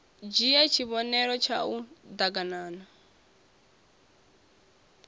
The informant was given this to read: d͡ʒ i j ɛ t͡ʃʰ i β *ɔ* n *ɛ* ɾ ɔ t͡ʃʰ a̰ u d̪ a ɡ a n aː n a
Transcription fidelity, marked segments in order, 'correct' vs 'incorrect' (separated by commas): correct, correct